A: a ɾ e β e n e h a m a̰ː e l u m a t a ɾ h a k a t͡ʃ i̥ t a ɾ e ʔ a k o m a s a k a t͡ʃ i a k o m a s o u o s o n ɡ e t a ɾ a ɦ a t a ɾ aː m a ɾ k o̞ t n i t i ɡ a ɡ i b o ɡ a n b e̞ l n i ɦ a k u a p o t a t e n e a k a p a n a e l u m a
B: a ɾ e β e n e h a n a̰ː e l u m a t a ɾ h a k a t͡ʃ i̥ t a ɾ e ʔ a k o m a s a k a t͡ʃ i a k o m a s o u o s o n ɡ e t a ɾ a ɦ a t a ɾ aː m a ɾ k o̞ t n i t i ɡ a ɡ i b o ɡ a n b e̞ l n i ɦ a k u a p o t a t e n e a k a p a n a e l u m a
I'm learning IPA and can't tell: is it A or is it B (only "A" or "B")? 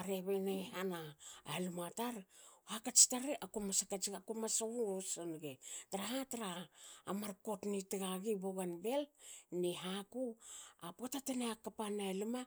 B